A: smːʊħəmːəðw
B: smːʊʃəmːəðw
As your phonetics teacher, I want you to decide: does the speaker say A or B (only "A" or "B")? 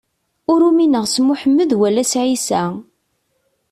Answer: A